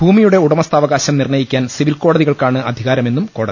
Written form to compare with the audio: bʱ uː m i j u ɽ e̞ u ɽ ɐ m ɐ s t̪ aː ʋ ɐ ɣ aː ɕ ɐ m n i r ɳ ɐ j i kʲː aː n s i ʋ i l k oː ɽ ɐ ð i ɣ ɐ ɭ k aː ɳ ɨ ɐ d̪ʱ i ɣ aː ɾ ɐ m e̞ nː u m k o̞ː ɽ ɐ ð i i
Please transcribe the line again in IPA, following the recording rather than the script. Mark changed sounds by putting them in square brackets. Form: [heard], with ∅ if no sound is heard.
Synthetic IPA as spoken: bʱ uː m i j u ɽ e̞ u ɽ ɐ m ɐ s t̪ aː ʋ ɐ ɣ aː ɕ ɐ m n i r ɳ ɐ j i kʲː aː n s i ʋ i l k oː ɽ ɐ ð i ɣ ɐ ɭ k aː ɳ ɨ ɐ d̪ʱ i ɣ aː ɾ ɐ m e̞ nː u m k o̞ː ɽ ɐ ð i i